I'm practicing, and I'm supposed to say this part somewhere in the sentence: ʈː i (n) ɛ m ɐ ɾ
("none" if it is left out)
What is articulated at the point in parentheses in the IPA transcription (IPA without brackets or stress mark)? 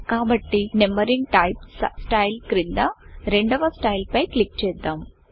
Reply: n